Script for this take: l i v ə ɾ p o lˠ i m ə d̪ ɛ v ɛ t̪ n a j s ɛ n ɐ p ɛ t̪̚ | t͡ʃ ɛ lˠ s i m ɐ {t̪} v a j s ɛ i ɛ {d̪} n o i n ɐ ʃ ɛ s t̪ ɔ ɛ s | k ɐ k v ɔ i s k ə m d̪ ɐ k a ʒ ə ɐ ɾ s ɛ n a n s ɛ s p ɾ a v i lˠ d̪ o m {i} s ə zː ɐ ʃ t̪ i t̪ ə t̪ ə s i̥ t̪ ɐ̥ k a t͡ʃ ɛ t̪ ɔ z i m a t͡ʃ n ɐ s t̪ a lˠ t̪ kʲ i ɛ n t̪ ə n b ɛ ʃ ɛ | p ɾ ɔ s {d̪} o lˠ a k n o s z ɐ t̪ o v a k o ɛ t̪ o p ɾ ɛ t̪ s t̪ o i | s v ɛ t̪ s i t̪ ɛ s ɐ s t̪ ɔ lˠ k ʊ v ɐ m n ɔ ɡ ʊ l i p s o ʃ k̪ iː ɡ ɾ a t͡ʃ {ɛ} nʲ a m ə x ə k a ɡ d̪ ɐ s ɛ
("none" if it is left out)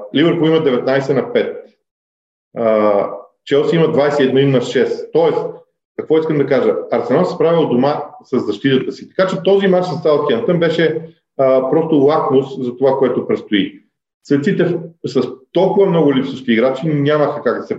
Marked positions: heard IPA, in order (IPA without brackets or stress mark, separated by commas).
d̪, d̪, a, t̪, i